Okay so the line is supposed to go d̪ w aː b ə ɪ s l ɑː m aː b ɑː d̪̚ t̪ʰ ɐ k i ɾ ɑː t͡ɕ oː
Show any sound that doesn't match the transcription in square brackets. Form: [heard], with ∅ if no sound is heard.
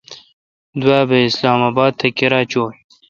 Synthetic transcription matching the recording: d̪ w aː b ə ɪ s l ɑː m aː b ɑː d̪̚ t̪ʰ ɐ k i ɾ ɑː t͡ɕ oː